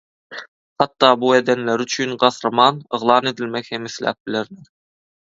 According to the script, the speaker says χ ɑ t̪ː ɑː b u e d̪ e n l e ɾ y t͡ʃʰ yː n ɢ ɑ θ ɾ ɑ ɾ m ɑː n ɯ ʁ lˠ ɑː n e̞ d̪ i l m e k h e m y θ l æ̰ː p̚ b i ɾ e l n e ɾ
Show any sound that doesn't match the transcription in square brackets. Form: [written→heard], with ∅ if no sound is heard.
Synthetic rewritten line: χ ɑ t̪ː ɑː b u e d̪ e n l e ɾ y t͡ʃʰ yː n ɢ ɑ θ ɾ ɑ [ɾ→∅] m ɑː n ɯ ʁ lˠ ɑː n e̞ d̪ i l m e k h e m [y→i] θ l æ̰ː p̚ b i [ɾ→l] e [l→ɾ] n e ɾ